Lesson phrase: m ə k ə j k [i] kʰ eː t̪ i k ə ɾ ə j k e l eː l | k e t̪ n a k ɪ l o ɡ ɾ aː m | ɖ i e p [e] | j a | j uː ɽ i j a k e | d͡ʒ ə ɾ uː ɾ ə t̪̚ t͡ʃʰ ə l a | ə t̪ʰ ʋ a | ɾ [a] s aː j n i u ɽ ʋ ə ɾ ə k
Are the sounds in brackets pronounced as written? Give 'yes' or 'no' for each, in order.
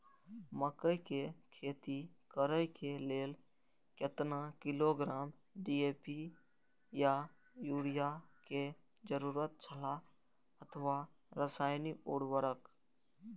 no, no, no

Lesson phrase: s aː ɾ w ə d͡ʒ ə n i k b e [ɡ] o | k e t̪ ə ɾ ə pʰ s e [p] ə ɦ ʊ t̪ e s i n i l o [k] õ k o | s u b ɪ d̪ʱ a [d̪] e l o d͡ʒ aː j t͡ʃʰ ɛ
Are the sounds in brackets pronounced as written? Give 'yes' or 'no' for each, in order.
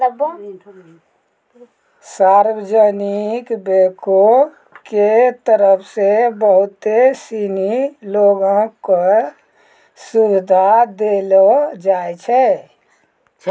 no, no, no, yes

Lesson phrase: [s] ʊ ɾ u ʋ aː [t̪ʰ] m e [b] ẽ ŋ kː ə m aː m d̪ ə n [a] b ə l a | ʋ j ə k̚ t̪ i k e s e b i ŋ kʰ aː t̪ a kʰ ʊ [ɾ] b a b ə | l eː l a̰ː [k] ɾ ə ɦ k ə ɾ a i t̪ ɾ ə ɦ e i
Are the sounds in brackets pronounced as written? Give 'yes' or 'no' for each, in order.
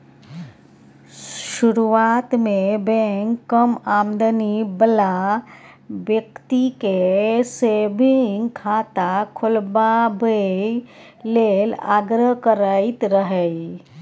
no, no, yes, no, no, no

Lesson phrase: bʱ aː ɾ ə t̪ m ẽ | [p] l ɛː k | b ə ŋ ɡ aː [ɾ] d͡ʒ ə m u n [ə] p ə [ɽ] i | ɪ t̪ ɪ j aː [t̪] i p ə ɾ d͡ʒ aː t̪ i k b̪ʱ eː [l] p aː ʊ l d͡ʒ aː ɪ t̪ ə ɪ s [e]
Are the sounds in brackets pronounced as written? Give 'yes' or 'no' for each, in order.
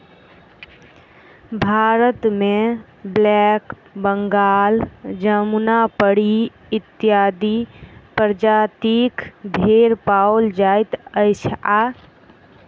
no, no, no, yes, no, no, no

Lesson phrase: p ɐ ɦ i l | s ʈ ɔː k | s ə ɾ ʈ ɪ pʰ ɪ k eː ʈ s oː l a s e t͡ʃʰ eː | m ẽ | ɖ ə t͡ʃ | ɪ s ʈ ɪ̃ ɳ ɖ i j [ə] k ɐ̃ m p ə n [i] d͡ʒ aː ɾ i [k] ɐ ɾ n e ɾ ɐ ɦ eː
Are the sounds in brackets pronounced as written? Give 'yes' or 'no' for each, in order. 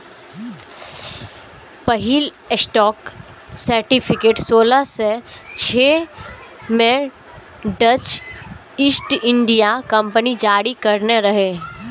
no, yes, yes

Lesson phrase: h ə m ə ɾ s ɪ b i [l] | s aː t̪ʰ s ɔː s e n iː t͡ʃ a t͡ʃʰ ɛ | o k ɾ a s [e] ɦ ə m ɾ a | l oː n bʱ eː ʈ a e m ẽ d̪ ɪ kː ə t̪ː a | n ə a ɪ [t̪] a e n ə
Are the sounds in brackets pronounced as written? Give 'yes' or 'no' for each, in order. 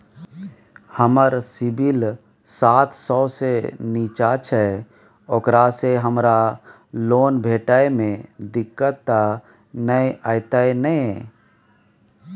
yes, yes, yes

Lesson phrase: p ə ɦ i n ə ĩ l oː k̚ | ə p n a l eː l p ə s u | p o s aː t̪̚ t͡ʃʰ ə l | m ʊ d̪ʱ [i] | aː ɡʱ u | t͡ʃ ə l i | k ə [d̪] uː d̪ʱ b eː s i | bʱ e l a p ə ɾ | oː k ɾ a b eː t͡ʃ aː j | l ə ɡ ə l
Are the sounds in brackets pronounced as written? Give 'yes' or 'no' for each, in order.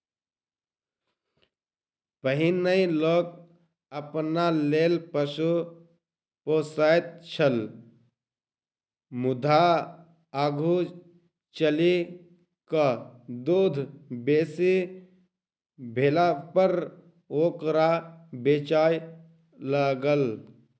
no, yes

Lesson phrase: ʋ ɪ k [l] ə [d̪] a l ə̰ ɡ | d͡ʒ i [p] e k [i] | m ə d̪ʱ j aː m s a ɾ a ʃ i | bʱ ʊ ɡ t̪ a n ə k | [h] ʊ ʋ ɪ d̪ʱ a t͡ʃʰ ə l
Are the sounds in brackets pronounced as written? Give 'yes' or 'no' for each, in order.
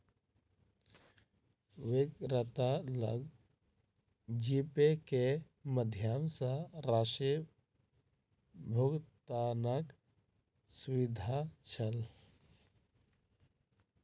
no, no, yes, no, no

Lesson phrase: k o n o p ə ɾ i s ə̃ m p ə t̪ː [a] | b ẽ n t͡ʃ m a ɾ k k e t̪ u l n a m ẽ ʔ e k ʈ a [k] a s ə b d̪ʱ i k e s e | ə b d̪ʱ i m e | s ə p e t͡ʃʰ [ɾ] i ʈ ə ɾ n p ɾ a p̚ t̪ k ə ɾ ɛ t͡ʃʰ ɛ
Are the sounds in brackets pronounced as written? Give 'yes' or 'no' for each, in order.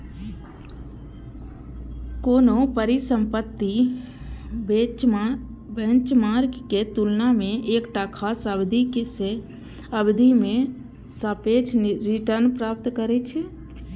no, no, yes

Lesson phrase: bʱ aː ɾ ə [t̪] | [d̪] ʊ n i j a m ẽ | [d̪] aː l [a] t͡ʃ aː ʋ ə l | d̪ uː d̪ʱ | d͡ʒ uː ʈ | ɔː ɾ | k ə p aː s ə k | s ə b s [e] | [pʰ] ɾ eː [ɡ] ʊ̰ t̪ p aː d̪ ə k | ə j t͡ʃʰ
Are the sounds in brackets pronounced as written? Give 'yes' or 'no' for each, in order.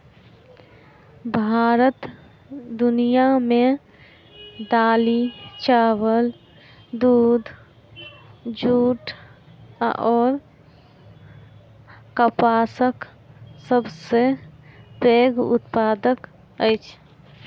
yes, yes, yes, no, yes, no, yes

